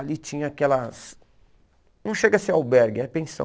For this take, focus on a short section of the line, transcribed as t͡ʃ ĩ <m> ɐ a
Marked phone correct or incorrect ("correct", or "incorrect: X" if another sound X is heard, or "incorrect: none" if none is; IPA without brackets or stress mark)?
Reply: incorrect: ɲ